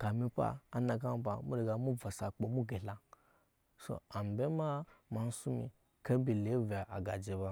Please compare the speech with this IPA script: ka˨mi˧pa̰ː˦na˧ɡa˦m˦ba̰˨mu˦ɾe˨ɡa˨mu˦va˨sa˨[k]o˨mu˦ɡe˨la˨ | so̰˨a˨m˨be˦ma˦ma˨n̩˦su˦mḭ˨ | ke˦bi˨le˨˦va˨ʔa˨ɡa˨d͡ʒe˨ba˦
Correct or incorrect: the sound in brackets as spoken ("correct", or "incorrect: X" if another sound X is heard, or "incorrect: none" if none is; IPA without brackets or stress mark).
incorrect: k͡p